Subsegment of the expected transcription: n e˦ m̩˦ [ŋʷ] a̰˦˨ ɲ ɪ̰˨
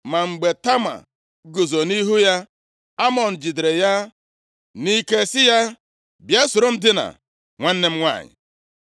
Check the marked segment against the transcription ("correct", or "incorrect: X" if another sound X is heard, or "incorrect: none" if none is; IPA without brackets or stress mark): correct